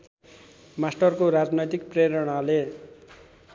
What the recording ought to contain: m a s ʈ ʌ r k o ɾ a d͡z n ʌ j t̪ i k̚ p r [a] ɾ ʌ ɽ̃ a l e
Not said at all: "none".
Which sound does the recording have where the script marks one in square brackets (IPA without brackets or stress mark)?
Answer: e